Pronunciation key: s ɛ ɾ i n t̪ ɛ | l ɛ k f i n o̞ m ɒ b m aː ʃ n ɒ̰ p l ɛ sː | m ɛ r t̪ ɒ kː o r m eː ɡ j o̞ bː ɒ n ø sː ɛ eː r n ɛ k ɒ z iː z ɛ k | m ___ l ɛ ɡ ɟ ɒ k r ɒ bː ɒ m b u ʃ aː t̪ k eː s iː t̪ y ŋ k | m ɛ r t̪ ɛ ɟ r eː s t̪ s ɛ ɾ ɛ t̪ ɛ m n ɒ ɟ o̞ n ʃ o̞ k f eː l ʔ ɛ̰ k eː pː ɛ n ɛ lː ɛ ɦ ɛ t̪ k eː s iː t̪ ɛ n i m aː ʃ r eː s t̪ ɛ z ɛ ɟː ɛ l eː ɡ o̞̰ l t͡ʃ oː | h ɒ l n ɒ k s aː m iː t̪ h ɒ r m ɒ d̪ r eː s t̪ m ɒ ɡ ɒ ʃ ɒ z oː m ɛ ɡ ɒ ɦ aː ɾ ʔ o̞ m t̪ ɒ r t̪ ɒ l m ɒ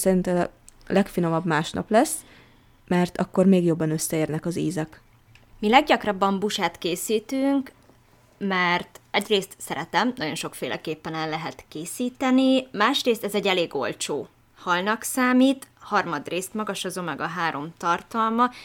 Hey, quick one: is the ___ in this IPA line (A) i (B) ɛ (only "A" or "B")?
A